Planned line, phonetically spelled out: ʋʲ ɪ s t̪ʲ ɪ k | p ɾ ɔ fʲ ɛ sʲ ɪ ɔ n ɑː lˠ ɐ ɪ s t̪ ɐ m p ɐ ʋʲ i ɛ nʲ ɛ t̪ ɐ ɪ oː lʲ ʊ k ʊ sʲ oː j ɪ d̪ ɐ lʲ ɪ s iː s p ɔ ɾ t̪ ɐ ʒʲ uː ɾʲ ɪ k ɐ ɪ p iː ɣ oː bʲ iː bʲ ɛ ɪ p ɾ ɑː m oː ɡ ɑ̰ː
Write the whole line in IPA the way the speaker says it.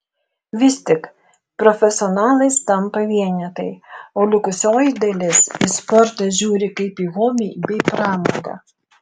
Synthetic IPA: ʋʲ ɪ s t̪ʲ ɪ k | p ɾ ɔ fʲ ɛ sʲ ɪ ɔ n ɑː lˠ ɐ ɪ s t̪ ɐ m p ɐ ʋʲ i ɛ nʲ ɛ t̪ ɐ ɪ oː lʲ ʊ k ʊ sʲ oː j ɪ d̪ ɐ lʲ ɪ s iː s p ɔ ɾ t̪ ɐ ʒʲ uː ɾʲ ɪ k ɐ ɪ p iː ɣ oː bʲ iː bʲ ɛ ɪ p ɾ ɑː m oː ɡ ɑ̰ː